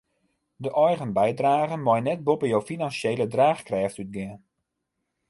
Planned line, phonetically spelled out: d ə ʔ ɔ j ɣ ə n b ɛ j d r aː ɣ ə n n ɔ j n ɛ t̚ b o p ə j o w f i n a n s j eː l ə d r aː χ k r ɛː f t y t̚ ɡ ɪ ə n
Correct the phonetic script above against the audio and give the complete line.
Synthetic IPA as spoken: d ə ʔ ɔ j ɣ ə n b ɛ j d r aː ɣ ə n m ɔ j n ɛ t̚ b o p ə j o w f i n a n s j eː l ə d r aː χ k r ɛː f t y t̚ ɡ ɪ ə n